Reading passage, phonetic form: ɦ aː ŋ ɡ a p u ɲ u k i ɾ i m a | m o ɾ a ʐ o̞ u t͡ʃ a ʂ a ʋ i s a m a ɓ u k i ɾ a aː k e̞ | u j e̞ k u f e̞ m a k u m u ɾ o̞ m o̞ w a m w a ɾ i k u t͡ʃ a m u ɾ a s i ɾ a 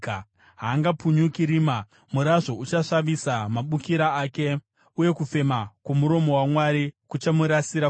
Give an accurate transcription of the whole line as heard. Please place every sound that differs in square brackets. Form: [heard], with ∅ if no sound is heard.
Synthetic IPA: ɦ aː ŋ ɡ a p u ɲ u k i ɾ i m a | m [u] ɾ a ʐ o̞ u t͡ʃ a ʂ a ʋ i s a m a ɓ u k i ɾ a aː k e̞ | u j e̞ k u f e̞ m a k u m u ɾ o̞ m o̞ w a m w a ɾ i k u t͡ʃ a m u ɾ a s i ɾ a